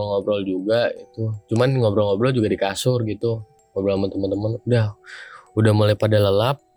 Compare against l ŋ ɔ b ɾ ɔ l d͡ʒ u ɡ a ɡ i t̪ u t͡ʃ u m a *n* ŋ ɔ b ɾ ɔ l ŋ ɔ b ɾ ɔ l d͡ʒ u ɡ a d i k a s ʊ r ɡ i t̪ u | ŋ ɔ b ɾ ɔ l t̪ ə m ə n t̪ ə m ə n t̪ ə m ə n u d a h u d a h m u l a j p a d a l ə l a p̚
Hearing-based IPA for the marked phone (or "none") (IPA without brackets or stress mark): n